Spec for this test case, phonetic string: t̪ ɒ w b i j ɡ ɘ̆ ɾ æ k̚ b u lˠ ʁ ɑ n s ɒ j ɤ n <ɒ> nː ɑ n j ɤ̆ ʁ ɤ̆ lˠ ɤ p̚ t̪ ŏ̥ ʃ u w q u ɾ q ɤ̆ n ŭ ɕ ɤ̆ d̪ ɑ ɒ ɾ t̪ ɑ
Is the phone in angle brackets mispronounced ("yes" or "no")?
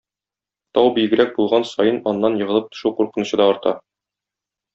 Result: no